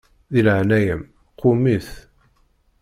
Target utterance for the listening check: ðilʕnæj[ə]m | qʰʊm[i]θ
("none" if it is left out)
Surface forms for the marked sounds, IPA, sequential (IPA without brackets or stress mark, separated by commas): ə, i